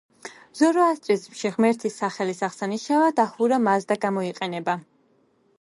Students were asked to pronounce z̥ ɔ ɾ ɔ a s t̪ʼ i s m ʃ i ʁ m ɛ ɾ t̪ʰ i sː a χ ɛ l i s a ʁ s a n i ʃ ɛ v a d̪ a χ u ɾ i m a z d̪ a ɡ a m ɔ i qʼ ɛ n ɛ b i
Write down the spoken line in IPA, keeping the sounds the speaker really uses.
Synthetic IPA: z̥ ɔ ɾ ɔ a s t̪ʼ i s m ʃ i ʁ m ɛ ɾ t̪ʰ i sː a χ ɛ l i s a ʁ s a n i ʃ a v a d̪ a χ u ɾ a m a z d̪ a ɡ a m ɔ i qʼ ɛ n ɛ b a